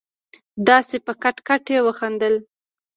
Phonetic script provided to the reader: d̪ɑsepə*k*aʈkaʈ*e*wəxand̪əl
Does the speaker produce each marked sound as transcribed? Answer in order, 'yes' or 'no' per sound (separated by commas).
yes, yes